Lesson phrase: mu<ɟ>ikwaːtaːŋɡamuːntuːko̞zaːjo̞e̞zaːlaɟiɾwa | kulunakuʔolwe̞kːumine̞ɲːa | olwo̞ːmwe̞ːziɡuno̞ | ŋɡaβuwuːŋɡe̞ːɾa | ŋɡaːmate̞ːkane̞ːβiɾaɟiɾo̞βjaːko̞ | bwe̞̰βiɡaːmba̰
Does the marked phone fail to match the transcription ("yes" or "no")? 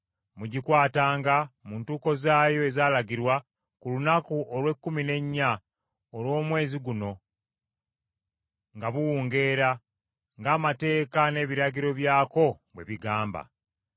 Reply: no